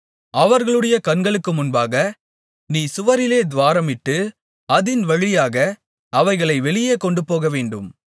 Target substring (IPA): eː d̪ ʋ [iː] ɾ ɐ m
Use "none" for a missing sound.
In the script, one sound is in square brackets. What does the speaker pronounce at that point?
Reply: aː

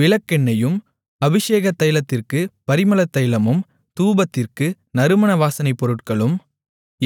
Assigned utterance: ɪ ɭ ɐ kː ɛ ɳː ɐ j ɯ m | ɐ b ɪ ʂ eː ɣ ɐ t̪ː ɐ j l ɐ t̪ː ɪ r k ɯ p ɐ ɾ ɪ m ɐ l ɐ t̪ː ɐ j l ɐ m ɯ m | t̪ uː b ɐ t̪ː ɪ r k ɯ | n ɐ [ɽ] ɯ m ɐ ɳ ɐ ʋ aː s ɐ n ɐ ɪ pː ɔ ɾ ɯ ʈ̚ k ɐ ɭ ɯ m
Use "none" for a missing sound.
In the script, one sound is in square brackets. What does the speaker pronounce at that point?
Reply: ɾ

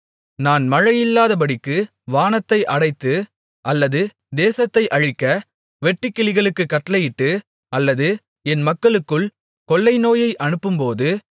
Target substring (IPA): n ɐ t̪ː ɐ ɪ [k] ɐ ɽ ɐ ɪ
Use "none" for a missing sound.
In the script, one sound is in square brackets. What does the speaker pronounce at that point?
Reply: ʔ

